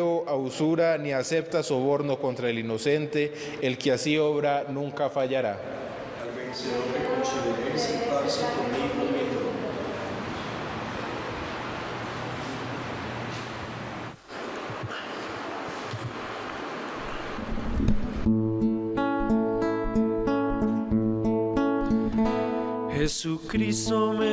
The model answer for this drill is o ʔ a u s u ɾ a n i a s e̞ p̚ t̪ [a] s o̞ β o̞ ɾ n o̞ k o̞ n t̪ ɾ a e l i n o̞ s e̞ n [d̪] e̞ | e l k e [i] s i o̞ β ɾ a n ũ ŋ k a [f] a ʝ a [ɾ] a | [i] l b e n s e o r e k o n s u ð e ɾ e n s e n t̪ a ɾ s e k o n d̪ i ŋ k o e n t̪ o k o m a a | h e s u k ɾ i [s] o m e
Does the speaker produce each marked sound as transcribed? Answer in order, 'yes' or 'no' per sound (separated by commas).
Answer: yes, no, no, yes, yes, no, yes